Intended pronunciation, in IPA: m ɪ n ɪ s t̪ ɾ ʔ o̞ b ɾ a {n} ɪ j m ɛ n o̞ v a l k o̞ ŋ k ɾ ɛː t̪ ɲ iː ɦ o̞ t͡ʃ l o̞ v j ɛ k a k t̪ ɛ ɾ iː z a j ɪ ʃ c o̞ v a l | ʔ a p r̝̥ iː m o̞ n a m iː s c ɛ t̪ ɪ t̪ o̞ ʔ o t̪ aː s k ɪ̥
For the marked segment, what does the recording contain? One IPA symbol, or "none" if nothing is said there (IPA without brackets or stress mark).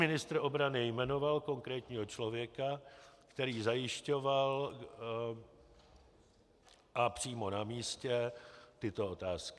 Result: n